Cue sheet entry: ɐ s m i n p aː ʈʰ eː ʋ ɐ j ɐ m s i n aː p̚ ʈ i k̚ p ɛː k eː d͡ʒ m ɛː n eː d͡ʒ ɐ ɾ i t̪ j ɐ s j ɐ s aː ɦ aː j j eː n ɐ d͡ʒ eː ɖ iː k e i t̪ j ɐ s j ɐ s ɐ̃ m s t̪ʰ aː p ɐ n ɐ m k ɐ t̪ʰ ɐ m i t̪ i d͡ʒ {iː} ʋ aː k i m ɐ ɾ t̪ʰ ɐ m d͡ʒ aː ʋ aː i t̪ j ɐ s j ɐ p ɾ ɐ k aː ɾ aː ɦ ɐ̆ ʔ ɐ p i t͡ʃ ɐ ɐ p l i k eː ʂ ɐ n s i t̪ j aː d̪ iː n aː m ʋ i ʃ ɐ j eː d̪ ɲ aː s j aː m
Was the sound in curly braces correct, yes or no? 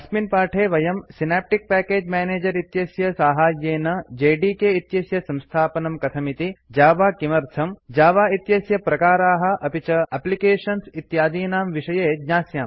no